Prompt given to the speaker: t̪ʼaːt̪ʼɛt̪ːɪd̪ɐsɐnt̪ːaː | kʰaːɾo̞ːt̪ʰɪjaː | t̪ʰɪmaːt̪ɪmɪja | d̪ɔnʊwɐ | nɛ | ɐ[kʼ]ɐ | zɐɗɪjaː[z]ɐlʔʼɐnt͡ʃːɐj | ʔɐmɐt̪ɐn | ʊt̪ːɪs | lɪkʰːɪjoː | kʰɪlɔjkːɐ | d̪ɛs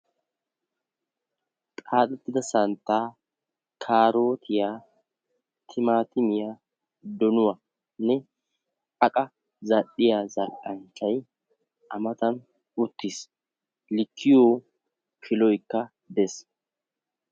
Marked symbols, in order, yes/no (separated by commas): yes, yes